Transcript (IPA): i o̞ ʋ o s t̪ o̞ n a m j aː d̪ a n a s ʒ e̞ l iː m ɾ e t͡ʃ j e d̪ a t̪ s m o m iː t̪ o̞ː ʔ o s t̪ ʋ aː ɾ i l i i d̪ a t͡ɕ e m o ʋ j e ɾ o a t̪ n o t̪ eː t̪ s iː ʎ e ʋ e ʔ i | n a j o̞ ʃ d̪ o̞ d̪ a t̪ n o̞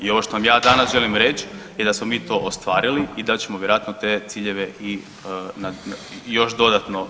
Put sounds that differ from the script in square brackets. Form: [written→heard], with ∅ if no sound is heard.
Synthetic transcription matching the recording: i o̞ ʋ o [s→ʃ] t̪ o̞ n a m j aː d̪ a n a s ʒ e̞ l [iː→i] m ɾ e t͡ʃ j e d̪ a [t̪→∅] s m o m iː t̪ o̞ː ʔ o s t̪ ʋ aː ɾ i l i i d̪ a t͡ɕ e m o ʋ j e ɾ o a t̪ n o t̪ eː t̪ s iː ʎ e ʋ e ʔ i | n a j o̞ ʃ d̪ o̞ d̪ a t̪ n o̞